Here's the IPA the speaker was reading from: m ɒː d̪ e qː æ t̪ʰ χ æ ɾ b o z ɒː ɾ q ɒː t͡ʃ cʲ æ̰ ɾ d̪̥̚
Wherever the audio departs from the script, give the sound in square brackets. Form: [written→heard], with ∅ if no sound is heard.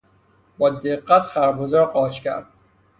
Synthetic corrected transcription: [m→b] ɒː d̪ e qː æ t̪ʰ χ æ ɾ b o z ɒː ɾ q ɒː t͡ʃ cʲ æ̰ ɾ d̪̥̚